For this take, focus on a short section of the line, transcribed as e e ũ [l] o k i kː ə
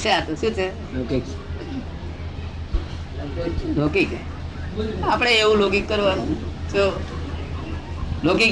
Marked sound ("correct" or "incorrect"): correct